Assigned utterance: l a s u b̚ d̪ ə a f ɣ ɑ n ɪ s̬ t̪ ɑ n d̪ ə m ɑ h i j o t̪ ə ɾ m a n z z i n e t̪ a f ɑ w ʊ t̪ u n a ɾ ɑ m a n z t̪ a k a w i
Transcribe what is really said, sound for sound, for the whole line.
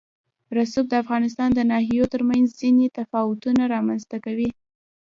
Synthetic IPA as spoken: ɾ a s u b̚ d̪ ə a f ɣ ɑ n ɪ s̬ t̪ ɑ n d̪ ə n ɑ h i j o t̪ ə ɾ m a n z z i n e t̪ a f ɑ w ʊ t̪ u n a ɾ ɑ m a n z t̪ a k a w i